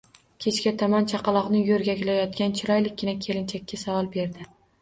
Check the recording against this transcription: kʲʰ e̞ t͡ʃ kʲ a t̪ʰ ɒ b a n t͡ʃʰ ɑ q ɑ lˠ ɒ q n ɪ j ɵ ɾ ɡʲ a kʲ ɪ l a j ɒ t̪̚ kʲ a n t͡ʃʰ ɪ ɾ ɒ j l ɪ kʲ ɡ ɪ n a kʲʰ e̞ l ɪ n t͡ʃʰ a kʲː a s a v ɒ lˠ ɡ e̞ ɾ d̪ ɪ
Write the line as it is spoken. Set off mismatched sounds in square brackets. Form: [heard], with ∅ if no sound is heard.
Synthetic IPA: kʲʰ e̞ t͡ʃ kʲ a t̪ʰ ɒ [m] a n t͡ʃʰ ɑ q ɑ lˠ ɒ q n ɪ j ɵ ɾ ɡʲ a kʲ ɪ l a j ɒ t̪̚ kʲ a n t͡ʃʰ ɪ ɾ ɒ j l ɪ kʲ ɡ ɪ n a kʲʰ e̞ l ɪ n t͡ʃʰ a kʲː a s a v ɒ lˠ [b] e̞ ɾ d̪ ɪ